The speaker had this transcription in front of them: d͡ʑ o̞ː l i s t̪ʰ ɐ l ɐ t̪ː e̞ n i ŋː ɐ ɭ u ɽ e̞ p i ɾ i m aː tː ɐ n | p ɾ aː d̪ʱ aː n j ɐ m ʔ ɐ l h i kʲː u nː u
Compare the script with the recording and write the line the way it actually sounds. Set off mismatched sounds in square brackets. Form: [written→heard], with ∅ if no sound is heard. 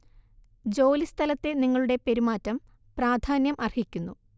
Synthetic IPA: d͡ʑ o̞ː l i s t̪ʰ ɐ l ɐ t̪ː e̞ n i ŋː ɐ ɭ u ɽ e̞ p [i→e] ɾ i m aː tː ɐ [n→m] | p [ɾ→r] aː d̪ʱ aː n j ɐ m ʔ ɐ [l→r] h i kʲː u nː u